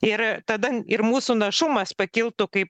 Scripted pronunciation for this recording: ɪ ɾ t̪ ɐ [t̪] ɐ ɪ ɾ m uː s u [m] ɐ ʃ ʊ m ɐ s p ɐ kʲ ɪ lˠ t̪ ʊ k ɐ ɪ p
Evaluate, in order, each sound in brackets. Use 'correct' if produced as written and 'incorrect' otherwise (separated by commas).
incorrect, incorrect